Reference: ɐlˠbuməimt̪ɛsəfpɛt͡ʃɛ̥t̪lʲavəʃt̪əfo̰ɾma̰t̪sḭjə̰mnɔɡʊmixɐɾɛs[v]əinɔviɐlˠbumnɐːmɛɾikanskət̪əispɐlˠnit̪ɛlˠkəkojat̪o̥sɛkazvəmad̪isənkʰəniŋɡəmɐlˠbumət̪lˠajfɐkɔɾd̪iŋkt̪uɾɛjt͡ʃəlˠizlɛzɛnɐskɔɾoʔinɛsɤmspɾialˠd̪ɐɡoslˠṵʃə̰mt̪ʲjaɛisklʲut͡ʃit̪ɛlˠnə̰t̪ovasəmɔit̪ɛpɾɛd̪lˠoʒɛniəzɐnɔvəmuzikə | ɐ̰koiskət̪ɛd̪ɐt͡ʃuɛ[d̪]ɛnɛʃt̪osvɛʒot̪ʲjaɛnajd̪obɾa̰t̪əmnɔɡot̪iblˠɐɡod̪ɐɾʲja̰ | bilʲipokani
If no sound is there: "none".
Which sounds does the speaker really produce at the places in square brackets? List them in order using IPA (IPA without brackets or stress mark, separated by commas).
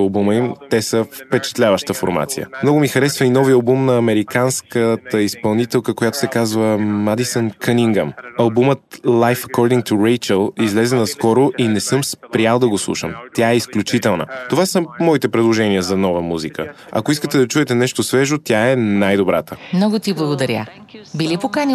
v, t̪